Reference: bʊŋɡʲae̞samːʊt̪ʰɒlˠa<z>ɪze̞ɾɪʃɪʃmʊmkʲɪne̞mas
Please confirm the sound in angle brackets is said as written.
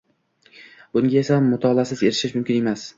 no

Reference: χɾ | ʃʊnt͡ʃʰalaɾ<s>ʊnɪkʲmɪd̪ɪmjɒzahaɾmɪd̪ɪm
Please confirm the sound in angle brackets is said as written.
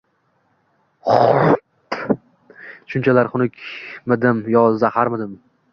no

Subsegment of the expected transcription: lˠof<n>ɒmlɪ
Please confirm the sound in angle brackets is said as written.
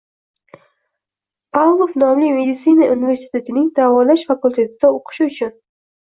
yes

